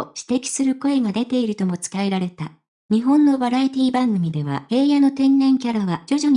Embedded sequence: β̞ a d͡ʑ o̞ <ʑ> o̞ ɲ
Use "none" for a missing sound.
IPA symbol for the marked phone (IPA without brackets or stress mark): ʑ